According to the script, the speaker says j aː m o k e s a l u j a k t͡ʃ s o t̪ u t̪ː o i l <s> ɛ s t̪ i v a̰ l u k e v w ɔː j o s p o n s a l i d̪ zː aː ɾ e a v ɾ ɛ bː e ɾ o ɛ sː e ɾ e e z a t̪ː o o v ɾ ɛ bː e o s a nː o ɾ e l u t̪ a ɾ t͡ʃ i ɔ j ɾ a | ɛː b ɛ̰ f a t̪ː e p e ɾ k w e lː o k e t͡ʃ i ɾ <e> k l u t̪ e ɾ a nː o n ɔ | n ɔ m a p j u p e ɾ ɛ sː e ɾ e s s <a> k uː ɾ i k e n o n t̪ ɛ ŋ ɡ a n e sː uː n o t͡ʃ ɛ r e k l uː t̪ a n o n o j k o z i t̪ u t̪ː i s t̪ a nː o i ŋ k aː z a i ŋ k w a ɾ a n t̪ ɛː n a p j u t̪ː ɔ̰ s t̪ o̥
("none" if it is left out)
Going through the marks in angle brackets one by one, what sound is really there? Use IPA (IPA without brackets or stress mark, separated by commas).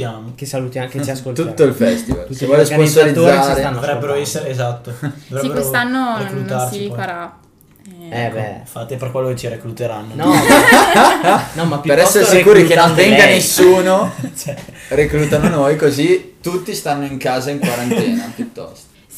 f, e, i